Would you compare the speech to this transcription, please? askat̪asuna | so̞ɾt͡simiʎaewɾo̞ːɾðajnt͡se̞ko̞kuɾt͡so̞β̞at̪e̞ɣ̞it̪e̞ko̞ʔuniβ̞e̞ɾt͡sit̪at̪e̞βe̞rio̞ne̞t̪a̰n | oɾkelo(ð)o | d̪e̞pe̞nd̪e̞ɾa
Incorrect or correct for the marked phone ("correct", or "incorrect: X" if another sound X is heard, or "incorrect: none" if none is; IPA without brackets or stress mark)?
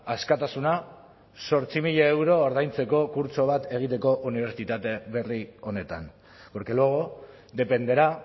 incorrect: ɣ